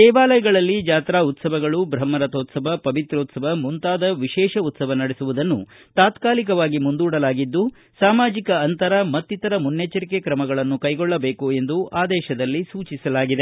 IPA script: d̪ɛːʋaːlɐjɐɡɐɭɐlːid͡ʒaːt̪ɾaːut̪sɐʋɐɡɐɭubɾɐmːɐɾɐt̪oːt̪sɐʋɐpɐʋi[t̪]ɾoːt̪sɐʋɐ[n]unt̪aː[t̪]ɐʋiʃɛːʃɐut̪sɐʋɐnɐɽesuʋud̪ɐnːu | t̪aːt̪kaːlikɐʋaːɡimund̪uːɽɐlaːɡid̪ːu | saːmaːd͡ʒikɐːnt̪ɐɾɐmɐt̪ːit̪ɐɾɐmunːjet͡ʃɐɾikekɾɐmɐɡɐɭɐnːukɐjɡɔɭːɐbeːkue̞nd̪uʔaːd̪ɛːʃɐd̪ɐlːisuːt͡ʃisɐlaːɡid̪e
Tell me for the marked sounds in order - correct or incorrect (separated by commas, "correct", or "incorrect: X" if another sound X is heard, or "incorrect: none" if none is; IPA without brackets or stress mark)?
correct, incorrect: m, incorrect: d̪